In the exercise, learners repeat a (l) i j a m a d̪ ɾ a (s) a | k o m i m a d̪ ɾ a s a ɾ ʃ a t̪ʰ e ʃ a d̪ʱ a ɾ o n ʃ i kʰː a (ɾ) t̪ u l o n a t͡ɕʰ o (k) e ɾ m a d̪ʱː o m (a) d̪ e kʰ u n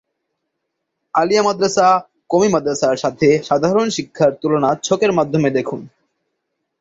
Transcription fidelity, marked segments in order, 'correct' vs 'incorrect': correct, correct, correct, correct, incorrect: e

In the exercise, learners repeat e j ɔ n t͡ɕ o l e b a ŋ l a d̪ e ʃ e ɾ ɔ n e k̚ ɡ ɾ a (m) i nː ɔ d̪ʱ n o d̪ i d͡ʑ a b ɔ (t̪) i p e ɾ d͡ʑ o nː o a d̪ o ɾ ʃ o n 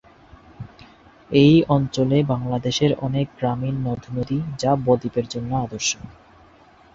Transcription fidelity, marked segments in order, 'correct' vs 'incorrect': correct, incorrect: d̪

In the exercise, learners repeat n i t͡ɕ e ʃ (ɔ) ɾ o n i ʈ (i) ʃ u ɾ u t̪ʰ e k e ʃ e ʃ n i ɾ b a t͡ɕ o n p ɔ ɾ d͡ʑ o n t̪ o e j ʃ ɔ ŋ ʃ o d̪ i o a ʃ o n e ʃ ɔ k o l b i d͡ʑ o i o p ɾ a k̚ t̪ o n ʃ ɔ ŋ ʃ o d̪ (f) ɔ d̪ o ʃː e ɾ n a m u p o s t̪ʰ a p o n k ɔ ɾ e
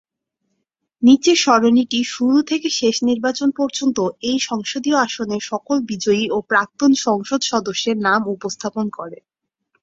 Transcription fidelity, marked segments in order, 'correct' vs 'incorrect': correct, correct, incorrect: ʃ

